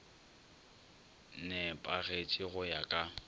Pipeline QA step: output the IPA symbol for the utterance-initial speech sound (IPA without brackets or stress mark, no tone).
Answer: n